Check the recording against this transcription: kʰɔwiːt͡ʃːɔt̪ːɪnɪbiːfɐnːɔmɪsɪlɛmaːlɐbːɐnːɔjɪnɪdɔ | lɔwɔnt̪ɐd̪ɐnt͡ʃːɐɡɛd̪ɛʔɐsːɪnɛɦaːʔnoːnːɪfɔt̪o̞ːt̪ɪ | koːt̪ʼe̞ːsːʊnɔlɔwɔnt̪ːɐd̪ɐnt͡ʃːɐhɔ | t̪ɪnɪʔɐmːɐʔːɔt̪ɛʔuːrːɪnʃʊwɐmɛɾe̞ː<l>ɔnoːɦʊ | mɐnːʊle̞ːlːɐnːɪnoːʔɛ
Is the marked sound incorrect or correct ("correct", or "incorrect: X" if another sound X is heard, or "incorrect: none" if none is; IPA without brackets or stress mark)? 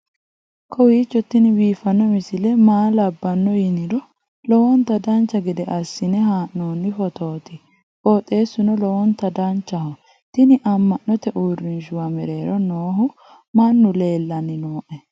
incorrect: ɾ